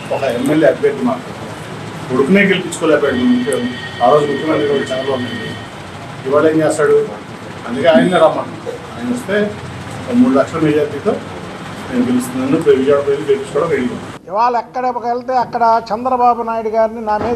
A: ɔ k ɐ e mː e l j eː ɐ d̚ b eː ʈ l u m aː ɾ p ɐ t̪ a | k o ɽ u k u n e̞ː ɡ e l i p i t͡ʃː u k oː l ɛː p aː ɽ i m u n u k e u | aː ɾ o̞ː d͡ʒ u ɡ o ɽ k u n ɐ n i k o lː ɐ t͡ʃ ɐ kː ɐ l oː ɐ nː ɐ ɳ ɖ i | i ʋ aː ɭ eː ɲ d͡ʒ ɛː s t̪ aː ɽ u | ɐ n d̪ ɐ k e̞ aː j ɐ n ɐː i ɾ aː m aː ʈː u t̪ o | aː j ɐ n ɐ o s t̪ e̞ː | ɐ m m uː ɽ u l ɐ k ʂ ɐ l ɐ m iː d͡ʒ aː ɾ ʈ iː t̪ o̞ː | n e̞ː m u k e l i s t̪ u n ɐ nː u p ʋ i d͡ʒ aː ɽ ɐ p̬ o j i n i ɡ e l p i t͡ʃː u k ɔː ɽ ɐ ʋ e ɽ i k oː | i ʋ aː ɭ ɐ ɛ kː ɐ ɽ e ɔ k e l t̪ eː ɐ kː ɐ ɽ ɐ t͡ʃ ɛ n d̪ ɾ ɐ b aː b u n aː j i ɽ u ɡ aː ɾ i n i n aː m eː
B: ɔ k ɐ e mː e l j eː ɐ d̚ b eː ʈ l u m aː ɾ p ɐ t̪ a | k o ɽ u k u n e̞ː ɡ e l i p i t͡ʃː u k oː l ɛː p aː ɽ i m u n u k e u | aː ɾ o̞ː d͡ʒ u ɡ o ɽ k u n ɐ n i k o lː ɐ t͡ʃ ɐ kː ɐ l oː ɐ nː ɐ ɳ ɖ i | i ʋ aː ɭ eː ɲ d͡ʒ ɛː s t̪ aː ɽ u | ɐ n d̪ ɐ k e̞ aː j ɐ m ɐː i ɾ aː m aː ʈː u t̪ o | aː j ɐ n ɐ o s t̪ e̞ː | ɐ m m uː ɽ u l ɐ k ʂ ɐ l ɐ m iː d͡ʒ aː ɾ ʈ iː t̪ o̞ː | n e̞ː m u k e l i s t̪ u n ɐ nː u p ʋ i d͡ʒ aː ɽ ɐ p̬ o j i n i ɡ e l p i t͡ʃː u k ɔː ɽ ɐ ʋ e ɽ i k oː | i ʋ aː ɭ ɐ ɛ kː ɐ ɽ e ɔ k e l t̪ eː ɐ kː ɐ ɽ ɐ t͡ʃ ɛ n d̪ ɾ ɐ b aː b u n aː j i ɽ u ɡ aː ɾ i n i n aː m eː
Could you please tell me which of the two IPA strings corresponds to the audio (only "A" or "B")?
A